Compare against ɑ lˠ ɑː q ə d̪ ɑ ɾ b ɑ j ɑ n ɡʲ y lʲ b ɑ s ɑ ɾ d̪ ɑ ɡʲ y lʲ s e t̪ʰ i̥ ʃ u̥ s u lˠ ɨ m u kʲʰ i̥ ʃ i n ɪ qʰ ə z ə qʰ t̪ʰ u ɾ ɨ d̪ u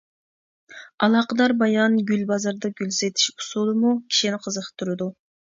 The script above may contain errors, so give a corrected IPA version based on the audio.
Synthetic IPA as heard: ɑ lˠ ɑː q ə d̪ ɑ ɾ b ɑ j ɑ n ɡʲ y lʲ b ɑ z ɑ ɾ d̪ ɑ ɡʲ y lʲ s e t̪ʰ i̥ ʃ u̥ s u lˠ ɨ m u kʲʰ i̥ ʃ i n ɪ qʰ ə z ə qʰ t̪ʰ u ɾ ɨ d̪ u